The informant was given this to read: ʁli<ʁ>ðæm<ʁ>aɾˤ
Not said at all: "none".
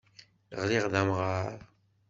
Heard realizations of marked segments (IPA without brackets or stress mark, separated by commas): ʁ, ʁ